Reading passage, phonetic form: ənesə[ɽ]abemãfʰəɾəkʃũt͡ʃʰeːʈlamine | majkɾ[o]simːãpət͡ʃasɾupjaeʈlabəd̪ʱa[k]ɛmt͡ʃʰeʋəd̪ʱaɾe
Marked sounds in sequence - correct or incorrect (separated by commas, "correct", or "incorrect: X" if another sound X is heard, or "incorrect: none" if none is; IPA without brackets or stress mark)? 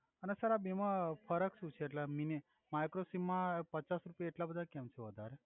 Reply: incorrect: ɾ, correct, correct